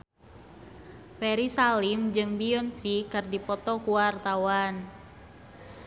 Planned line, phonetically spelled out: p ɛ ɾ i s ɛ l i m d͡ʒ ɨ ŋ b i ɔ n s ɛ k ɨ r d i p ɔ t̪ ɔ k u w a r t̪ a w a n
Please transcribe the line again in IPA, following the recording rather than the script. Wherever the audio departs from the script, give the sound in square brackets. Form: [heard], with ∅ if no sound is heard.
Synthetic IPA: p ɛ ɾ i s [a] l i m d͡ʒ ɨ ŋ b i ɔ n s [i] k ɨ r d i p ɔ t̪ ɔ k u w a r t̪ a w a n